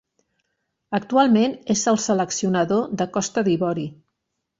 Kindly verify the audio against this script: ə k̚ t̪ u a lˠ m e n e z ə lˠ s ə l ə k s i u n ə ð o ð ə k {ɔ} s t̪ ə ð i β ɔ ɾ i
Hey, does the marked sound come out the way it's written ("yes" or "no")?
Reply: yes